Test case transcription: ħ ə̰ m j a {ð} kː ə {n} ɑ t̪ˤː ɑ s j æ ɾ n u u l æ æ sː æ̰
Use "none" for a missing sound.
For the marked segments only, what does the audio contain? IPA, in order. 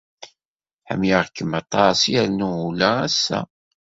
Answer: ʁ, m

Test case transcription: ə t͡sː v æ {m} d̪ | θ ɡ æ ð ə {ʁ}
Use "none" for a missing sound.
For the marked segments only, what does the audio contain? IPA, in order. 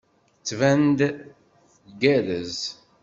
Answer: n, z

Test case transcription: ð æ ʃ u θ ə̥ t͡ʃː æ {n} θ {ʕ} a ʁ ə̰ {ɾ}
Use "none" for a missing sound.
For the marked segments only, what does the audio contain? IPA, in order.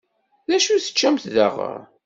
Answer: m, ð, ɾ

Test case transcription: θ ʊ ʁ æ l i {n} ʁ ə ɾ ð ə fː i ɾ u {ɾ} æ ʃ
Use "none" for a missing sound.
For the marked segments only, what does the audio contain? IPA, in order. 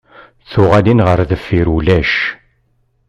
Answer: n, l

